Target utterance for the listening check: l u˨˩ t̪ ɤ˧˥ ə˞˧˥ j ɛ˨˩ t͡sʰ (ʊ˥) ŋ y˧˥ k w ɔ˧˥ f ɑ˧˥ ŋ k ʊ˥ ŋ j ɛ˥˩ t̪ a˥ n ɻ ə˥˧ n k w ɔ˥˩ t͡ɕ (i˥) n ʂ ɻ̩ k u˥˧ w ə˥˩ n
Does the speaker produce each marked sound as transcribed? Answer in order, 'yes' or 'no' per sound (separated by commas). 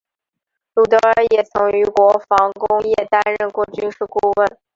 no, no